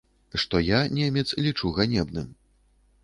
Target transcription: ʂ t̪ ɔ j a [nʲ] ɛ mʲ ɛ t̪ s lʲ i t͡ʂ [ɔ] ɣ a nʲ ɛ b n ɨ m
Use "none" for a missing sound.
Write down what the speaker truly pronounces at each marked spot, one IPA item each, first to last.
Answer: nʲ, u

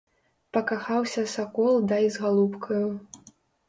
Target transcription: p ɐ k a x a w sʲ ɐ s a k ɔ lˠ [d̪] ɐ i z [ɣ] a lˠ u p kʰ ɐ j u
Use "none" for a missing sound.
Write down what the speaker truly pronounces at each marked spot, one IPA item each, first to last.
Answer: d̪, ɣ

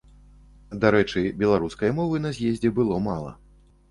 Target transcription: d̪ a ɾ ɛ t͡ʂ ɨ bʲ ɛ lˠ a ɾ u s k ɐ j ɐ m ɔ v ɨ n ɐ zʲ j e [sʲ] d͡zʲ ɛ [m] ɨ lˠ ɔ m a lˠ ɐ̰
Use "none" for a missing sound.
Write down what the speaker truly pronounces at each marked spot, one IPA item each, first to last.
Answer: zʲ, b

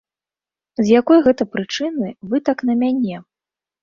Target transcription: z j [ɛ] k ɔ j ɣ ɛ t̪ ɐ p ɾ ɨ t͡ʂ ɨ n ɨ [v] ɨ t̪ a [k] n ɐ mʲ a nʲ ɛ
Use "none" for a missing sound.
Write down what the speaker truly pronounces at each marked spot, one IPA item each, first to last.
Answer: a, v, k

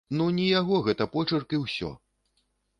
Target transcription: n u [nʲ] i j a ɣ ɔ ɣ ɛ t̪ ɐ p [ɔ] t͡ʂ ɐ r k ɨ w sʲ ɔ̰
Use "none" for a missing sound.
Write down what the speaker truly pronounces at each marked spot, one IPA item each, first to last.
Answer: nʲ, ɔ

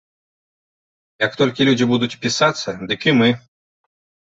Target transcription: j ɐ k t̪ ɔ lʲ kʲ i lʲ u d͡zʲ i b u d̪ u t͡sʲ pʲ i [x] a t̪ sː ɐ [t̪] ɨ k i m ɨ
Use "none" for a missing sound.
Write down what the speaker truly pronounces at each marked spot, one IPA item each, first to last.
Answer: s, d̪

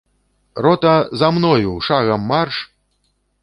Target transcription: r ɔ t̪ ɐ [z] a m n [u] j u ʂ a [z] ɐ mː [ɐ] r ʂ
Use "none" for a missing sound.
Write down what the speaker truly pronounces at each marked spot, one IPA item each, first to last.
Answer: z, ɔ, ɣ, a

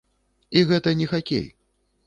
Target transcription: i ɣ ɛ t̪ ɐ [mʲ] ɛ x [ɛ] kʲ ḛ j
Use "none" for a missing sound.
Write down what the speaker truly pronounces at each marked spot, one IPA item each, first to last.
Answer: nʲ, a

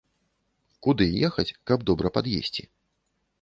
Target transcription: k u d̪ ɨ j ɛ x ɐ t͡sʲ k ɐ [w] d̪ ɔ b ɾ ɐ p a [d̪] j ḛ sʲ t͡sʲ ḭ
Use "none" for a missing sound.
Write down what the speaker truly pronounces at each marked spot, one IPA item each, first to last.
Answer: b, d̪

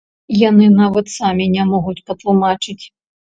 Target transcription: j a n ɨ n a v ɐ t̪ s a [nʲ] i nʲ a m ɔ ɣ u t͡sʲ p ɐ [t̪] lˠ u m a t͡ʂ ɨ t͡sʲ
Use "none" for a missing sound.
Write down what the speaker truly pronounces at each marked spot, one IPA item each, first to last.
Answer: mʲ, t̪

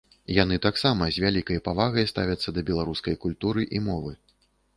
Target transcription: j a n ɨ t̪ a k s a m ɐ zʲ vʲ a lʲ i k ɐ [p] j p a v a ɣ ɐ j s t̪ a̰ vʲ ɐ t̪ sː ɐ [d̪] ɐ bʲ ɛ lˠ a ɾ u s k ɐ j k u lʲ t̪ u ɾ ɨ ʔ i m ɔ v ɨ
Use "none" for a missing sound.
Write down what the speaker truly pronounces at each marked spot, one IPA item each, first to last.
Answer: none, d̪

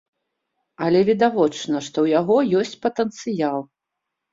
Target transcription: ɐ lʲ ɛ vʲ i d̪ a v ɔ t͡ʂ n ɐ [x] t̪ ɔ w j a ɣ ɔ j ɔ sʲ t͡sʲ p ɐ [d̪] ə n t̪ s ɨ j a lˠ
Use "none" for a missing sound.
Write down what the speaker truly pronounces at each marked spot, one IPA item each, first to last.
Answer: ʂ, t̪

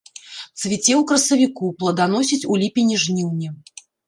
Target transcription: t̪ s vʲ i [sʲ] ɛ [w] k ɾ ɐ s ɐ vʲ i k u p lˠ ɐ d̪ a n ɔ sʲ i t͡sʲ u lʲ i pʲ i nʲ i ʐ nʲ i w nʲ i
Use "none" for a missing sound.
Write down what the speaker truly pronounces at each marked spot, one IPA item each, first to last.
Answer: t͡sʲ, w

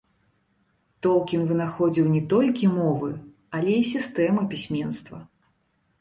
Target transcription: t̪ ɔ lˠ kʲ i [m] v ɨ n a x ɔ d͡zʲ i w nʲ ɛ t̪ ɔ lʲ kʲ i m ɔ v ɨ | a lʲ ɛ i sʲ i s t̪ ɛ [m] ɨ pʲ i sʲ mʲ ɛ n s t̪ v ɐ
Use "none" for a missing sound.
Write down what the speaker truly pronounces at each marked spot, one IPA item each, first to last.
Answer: n, m

